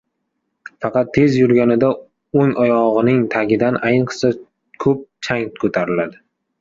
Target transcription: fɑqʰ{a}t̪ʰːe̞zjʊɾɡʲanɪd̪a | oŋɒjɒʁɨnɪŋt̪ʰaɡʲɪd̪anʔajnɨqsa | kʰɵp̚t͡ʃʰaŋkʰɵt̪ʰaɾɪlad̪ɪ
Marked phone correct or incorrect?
incorrect